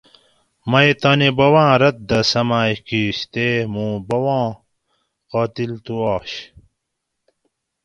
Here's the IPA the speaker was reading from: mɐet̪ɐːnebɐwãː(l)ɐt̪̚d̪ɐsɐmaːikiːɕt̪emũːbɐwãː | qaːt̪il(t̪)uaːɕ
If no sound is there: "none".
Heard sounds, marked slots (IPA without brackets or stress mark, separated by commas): ɾ, t̪